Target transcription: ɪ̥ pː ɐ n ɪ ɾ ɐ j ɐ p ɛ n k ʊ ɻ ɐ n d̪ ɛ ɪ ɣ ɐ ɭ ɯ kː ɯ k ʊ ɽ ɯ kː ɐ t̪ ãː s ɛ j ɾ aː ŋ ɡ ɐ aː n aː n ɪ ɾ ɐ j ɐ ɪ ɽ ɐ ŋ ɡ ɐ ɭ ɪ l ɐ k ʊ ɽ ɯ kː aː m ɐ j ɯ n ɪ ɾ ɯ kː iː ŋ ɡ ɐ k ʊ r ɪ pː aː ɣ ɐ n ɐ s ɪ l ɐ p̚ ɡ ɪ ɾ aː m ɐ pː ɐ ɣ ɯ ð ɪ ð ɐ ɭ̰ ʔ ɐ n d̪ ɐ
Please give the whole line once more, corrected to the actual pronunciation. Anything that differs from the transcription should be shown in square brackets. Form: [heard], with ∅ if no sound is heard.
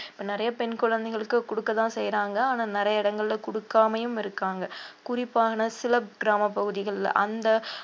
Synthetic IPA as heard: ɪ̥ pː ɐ n ɪ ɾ ɐ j ɐ p ɛ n k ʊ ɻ ɐ n d̪ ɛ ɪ ɣ ɐ ɭ ɯ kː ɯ k ʊ ɽ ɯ kː ɐ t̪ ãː s ɛ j ɾ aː ŋ ɡ ɐ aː n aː n ɪ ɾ ɐ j ɐ ɪ ɽ ɐ ŋ ɡ ɐ ɭ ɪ l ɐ k ʊ ɽ ɯ kː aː m ɐ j ɯ [m] ɪ ɾ ɯ kː [aː] ŋ ɡ ɐ k ʊ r ɪ pː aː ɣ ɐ n ɐ s ɪ l ɐ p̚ ɡ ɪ ɾ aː m ɐ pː ɐ ɣ ɯ ð ɪ [ɣ] ɐ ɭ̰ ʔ ɐ n d̪ ɐ